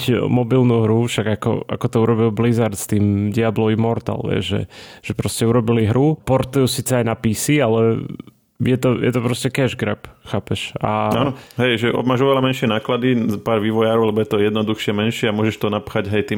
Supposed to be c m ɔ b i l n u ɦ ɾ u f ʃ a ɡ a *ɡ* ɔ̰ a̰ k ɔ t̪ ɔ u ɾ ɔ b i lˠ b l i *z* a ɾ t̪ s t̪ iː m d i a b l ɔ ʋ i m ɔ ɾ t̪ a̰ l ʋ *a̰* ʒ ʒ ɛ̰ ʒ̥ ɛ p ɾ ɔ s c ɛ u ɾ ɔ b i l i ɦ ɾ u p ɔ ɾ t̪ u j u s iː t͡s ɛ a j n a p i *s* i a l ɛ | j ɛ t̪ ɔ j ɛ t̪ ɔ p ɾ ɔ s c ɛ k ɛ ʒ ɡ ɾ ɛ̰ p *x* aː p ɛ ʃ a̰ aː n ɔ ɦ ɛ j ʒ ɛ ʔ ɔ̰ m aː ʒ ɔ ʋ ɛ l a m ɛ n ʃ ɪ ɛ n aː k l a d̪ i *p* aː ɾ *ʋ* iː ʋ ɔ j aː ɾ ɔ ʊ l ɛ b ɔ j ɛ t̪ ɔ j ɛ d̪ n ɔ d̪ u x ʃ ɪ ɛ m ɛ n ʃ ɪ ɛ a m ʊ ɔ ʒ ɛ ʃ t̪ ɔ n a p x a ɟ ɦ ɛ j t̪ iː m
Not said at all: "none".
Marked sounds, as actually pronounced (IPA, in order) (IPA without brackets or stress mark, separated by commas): k, z, ɛ̰, s, x, p, ʋ